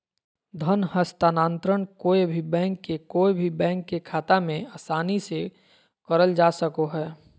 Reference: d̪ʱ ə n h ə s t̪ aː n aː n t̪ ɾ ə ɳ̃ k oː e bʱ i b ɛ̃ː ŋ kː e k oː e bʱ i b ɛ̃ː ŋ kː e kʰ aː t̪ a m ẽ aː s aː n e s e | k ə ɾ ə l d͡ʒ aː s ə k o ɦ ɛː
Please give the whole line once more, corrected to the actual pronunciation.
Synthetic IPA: d̪ʱ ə n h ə s t̪ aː n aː n t̪ ɾ ə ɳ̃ k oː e bʱ i b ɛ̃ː ŋ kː e k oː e bʱ i b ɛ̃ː ŋ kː e kʰ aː t̪ a m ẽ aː s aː n i s e | k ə ɾ ə l d͡ʒ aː s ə k o ɦ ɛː